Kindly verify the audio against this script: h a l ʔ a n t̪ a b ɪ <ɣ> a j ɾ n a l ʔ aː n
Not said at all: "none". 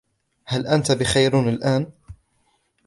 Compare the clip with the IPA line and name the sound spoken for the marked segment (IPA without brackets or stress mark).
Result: x